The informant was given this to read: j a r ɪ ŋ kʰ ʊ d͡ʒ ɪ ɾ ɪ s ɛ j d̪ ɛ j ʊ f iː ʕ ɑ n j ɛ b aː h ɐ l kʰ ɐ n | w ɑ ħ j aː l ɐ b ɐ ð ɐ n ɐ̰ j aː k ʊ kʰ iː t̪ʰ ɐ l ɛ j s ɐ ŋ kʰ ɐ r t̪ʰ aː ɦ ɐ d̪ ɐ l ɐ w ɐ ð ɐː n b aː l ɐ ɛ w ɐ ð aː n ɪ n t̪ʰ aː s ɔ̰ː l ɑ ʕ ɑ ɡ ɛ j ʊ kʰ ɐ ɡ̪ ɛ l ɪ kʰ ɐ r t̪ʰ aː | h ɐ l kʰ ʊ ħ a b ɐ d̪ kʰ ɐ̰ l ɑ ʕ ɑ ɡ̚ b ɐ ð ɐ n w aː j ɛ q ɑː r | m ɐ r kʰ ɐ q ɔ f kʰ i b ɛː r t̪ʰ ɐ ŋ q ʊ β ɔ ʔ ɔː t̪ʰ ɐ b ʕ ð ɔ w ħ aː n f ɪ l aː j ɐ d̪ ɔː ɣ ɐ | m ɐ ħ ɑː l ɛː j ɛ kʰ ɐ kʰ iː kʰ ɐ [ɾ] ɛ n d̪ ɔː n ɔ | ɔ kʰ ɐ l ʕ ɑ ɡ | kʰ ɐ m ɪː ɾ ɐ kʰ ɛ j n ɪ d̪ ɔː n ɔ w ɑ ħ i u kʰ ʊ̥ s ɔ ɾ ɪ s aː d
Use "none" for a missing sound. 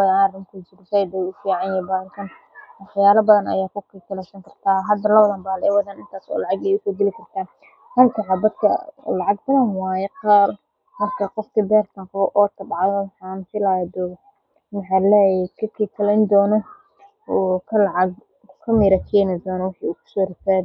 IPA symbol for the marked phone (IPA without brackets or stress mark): l